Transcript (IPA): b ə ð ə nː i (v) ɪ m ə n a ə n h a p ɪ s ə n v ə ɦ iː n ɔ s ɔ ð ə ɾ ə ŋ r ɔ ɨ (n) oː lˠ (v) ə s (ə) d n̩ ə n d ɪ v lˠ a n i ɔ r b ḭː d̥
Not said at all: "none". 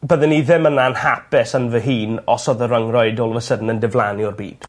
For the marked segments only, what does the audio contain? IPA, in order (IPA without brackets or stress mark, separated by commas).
ð, d, v, ə